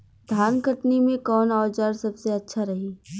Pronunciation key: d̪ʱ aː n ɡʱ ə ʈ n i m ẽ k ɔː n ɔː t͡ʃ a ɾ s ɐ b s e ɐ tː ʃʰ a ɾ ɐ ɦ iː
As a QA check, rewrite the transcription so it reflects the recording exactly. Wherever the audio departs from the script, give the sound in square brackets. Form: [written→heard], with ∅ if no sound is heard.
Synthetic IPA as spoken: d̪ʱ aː n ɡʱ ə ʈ n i m ẽ k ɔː n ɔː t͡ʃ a ɾ s ɐ b s e ɐ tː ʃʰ a ɾ ɐ ɦ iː